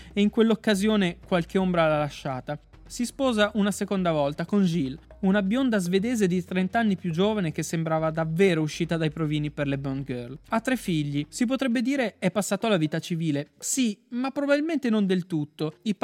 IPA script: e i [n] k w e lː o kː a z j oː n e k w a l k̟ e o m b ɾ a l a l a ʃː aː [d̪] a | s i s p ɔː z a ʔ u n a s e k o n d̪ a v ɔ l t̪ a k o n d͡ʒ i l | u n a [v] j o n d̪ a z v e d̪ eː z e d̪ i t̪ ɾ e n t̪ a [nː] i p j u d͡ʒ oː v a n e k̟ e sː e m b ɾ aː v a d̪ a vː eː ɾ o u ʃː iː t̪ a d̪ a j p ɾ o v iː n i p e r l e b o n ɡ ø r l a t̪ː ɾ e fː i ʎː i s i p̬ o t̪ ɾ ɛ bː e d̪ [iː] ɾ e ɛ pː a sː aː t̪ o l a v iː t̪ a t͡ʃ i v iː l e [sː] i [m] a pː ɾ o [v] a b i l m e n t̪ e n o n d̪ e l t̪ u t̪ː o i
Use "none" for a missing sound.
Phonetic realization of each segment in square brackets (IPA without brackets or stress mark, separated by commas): ŋ, t̪, b, nː, iː, s, m, b